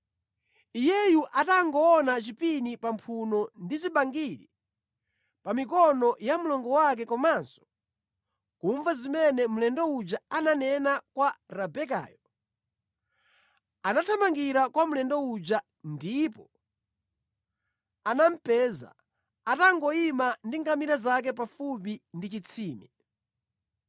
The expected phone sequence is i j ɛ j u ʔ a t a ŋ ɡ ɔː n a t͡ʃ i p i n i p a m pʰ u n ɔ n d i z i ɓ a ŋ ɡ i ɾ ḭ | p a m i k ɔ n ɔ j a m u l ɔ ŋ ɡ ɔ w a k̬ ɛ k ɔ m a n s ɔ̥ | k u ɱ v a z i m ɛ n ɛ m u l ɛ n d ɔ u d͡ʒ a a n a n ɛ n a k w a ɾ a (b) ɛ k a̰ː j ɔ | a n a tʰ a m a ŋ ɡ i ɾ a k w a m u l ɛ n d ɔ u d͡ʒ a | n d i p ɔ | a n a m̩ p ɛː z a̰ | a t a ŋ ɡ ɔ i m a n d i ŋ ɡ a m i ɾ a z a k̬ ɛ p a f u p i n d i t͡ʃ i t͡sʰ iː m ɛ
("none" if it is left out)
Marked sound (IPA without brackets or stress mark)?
b